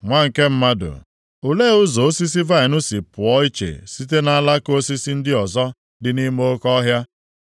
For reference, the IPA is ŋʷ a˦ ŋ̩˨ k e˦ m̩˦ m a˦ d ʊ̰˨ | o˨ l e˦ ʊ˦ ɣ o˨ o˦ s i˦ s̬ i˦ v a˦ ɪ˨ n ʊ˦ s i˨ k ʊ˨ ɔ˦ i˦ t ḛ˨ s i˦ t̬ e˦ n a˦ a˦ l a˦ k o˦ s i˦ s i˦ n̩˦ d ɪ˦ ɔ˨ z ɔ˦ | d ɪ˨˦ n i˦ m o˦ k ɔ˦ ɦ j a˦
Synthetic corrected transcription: ŋʷ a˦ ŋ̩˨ k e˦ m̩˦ m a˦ d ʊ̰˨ | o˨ l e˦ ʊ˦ z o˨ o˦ s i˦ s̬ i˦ v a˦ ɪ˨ n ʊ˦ s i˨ p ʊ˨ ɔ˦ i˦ t͡ʃ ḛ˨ s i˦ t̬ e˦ n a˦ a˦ l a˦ k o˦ s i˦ s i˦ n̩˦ d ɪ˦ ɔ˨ z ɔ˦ | d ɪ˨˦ n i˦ m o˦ k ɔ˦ ɦ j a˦